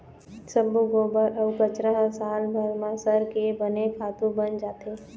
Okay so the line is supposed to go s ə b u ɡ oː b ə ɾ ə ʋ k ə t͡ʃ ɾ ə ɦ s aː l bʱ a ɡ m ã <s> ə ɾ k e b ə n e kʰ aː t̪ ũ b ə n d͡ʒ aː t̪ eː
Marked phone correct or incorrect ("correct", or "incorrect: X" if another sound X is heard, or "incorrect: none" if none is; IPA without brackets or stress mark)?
correct